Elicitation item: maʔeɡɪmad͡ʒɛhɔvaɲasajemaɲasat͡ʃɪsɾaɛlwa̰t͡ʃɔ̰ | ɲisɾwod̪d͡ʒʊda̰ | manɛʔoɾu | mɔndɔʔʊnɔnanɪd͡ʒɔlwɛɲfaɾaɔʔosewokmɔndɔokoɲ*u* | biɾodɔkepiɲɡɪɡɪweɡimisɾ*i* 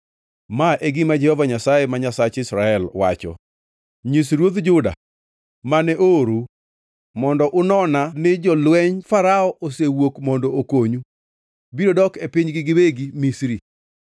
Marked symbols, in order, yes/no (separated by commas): yes, yes